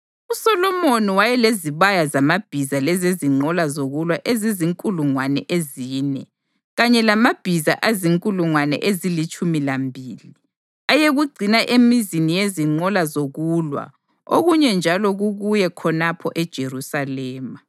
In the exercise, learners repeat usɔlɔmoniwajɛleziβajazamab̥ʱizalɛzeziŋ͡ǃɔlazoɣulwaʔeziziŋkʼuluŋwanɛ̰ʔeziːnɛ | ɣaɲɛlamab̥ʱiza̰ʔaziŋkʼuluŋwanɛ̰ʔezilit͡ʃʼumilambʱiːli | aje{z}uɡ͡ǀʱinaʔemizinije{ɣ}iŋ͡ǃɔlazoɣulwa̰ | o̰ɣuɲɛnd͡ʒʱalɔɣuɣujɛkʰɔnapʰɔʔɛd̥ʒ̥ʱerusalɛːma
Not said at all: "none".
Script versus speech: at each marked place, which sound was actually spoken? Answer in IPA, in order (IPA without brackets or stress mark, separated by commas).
ɣ, z